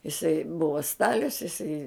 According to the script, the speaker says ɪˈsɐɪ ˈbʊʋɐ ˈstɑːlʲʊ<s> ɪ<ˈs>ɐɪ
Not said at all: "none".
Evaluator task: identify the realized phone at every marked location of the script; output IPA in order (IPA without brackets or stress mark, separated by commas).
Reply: s, s